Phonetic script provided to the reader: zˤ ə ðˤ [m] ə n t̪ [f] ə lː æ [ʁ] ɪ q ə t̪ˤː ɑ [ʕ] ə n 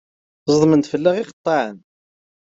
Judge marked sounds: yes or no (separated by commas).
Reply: yes, yes, yes, yes